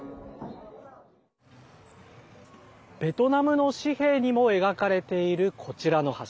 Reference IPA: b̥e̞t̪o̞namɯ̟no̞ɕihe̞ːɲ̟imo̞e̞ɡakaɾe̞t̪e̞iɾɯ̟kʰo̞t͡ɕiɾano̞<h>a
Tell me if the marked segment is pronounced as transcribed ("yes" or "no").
yes